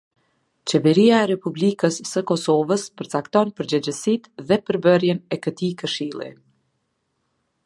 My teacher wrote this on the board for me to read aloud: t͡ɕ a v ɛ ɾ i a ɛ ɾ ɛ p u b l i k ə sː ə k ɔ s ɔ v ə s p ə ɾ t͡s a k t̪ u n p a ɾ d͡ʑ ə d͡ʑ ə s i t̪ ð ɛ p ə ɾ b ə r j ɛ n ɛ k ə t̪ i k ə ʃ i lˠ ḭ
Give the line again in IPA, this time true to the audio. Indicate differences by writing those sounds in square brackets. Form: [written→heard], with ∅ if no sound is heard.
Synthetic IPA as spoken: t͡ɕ [a→ɛ] v ɛ ɾ i a ɛ ɾ ɛ p u b l i k ə sː ə k ɔ s ɔ v ə s p ə ɾ t͡s a k t̪ [u→ɔ] n p [a→ə] ɾ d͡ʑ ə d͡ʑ ə s i t̪ ð ɛ p ə ɾ b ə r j ɛ n ɛ k ə t̪ i k ə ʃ i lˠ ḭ

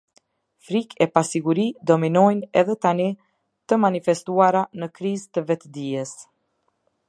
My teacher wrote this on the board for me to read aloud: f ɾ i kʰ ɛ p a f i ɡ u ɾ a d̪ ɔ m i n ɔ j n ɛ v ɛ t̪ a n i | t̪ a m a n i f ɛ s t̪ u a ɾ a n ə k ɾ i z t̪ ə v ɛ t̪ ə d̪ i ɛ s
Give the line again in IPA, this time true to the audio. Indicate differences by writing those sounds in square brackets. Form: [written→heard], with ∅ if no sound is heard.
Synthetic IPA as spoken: f ɾ i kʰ ɛ p a [f→s] i ɡ u ɾ [a→i] d̪ ɔ m i n ɔ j n ɛ [v→ð] ɛ t̪ a n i | t̪ [a→ə] m a n i f ɛ s t̪ u a ɾ a n ə k ɾ i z t̪ ə v ɛ t̪ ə d̪ i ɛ s

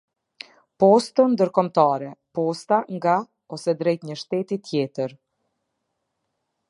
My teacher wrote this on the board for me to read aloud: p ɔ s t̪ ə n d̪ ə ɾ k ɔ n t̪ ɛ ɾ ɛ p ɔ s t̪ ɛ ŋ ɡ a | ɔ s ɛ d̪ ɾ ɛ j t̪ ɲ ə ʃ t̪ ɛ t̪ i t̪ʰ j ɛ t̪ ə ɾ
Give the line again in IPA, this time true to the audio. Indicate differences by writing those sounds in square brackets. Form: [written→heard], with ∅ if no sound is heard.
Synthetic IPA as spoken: p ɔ s t̪ ə n d̪ ə ɾ k ɔ [n→m] t̪ [ɛ→a] ɾ ɛ p ɔ s t̪ [ɛ→a] ŋ ɡ a | ɔ s ɛ d̪ ɾ ɛ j t̪ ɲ ə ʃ t̪ ɛ t̪ i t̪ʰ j ɛ t̪ ə ɾ

